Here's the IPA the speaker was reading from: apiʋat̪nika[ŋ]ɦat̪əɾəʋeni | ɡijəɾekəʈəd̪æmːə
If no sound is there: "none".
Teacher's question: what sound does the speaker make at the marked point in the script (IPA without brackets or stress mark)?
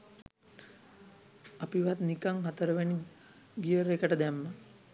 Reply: ŋ